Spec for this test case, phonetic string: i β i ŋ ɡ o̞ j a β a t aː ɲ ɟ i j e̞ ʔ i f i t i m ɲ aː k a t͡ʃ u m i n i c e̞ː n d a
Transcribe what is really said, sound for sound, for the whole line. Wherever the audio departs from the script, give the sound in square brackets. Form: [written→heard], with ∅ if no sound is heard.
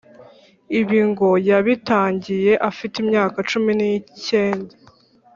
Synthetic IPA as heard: i β i ŋ ɡ o̞ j a β [a→i] t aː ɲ ɟ i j e̞ ʔ [i→a] f i t i m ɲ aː k a t͡ʃ u m i n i c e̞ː n d a

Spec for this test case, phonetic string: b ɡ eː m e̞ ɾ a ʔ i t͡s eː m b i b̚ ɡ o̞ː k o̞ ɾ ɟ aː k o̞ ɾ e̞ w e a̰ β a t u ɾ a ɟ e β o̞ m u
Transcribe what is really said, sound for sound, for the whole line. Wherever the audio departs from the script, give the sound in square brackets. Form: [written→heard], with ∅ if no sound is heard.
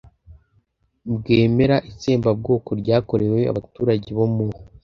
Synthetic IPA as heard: b ɡ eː m e̞ ɾ a ʔ i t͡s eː m b [i→a] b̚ ɡ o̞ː k o̞ ɾ ɟ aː k o̞ ɾ e̞ w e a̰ β a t [u→uː] ɾ a ɟ e β o̞ m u

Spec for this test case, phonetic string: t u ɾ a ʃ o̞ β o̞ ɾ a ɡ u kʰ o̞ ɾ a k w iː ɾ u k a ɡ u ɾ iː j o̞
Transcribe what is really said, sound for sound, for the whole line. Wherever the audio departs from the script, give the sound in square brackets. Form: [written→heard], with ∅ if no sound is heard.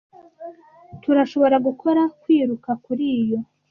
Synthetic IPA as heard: t u ɾ a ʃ o̞ β o̞ ɾ a ɡ u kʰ o̞ ɾ a k w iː ɾ u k a [ɡ→k] u ɾ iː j o̞

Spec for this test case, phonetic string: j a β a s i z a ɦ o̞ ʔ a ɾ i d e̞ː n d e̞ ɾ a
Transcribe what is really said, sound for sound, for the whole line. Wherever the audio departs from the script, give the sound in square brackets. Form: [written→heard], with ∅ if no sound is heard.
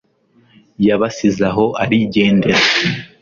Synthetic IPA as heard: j a β a s i z a ɦ o̞ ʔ a ɾ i [d→ɟ] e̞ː n d e̞ ɾ a

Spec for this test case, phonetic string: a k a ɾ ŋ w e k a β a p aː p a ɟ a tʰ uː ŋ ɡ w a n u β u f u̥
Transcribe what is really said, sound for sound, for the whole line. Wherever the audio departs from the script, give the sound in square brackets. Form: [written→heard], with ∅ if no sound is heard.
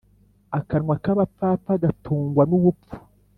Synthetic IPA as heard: a k a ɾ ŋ w [e→a] k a β a p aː p a [ɟ→ɡ] a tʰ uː ŋ ɡ w a n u β u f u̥

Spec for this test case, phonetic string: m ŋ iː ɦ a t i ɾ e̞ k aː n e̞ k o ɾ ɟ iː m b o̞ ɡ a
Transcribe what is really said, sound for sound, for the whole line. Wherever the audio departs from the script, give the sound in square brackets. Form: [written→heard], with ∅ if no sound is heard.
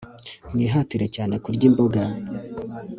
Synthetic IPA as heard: m ŋ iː ɦ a t i ɾ e̞ [k→c] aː n e̞ k [o→u] ɾ ɟ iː m b o̞ ɡ a

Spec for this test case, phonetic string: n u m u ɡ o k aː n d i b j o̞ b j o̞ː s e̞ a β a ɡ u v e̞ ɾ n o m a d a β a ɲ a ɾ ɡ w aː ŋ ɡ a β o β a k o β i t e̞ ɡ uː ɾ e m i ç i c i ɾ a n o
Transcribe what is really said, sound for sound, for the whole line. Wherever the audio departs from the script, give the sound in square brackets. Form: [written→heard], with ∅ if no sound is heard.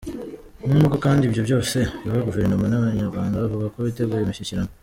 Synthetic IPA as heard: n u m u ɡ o k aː n d i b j o̞ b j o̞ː s e̞ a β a ɡ u v e̞ ɾ n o m a [d→n] a β a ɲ a ɾ ɡ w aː ŋ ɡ a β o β a k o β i t e̞ ɡ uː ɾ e m i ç i c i ɾ a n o

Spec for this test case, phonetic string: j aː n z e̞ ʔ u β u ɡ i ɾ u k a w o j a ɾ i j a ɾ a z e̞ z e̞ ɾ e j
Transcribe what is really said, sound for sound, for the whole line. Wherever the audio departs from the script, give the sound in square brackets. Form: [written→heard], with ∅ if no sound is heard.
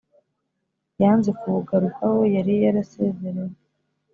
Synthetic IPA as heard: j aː n z e̞ [ʔ→k] u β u ɡ [i→a] ɾ u k a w o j a ɾ i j a ɾ a [z→s] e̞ z e̞ ɾ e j

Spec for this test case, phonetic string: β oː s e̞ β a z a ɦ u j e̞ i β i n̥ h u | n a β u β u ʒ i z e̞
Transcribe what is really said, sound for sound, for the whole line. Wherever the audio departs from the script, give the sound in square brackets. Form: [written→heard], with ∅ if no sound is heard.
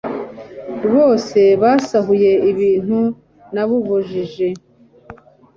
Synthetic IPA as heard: β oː s e̞ β a [z→s] a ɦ u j e̞ i β [i→iː] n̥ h u | n a β u β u ʒ i [z→ʒ] e̞

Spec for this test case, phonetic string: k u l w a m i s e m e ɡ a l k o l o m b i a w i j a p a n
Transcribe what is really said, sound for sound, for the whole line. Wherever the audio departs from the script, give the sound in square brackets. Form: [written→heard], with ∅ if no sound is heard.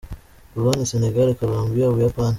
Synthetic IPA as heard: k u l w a [m→n] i s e [m→n] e ɡ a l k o l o m b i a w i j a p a n

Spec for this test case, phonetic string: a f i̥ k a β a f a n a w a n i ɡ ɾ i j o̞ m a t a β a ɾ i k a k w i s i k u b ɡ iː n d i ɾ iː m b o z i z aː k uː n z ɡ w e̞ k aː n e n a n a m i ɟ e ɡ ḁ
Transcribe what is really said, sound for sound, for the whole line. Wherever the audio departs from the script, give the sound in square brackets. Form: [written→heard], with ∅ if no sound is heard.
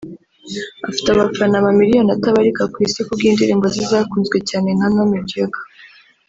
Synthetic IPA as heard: a f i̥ [k→t] a β a f a n a [w→β] a [n→m] i [ɡ→∅] ɾ i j o̞ [m→n] a t a β a ɾ i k a k w i s i k u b ɡ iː n d i ɾ iː m b o z i z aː k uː n z ɡ w e̞ [k→c] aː n e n a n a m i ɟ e ɡ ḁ

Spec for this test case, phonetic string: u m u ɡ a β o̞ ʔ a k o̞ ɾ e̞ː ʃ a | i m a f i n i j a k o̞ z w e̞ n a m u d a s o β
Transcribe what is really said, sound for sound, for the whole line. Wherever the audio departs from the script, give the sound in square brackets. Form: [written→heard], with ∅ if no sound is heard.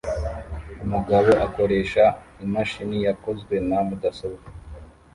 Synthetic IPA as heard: u m u ɡ a β o̞ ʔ a k o̞ ɾ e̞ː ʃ a | i m a [f→ʃ] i n i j a k o̞ z w e̞ n a m u d a s o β

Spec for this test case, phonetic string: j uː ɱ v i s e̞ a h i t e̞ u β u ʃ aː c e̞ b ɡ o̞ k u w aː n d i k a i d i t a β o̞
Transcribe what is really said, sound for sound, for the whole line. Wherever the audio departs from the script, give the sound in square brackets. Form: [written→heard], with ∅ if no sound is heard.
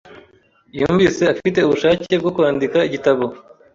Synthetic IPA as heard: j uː ɱ v i s e̞ a [h→f] i t e̞ u β u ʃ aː c e̞ b ɡ o̞ k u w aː n d i k a i [d→ɟ] i t a β o̞

